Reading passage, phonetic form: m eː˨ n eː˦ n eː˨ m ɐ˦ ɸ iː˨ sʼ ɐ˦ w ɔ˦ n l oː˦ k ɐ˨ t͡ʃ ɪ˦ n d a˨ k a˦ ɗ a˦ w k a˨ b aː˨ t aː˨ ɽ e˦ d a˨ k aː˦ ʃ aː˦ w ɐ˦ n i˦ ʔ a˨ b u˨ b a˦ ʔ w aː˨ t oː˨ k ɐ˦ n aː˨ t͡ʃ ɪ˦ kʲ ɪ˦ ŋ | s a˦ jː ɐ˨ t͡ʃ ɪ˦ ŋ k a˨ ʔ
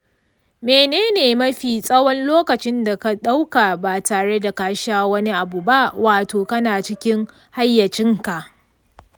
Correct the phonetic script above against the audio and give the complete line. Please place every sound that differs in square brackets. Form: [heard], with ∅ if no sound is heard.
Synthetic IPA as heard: m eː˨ n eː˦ n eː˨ m ɐ˦ ɸ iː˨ sʼ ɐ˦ w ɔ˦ n l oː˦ k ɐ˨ t͡ʃ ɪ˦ n d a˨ k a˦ ɗ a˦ w k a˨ b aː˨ t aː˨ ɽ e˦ d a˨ k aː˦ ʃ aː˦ w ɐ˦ n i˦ ʔ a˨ b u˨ b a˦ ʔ w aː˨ t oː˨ k ɐ˦ n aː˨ t͡ʃ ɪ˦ kʲ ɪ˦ ŋ | [h] a˦ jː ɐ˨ t͡ʃ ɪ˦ ŋ k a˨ ʔ